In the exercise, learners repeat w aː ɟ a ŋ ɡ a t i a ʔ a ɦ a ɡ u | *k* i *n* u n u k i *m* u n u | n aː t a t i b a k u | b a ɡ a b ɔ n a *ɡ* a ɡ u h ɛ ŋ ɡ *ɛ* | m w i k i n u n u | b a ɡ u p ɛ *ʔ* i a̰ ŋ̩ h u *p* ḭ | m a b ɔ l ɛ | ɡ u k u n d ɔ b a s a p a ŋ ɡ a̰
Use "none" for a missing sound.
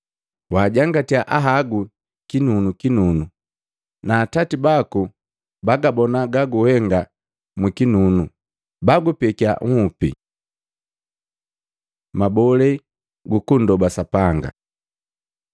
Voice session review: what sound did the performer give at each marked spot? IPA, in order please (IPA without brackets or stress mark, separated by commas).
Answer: k, n, n, ɡ, a, k, p